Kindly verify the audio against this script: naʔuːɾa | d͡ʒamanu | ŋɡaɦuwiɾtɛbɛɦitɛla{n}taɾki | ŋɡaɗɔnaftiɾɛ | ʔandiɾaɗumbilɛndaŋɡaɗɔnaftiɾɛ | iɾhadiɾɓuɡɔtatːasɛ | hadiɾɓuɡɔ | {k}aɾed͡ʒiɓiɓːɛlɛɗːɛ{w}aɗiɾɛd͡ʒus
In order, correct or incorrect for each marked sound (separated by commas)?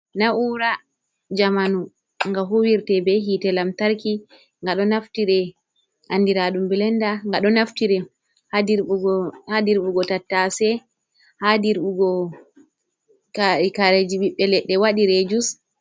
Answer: incorrect, correct, correct